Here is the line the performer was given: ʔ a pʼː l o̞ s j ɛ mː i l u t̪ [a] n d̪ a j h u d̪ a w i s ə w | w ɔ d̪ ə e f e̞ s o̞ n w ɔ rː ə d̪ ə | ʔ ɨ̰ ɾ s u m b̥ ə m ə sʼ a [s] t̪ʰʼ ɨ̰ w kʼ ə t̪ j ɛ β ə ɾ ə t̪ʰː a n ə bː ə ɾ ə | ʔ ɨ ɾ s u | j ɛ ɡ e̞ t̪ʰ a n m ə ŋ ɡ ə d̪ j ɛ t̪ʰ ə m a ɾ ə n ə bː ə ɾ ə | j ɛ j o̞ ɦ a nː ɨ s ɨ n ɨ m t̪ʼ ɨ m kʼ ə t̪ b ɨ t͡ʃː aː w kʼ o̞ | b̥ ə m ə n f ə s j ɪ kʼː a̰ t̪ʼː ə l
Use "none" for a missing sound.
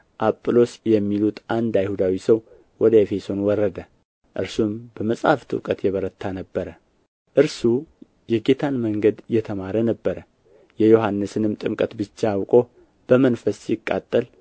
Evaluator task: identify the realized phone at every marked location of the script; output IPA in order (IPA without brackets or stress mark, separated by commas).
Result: a, f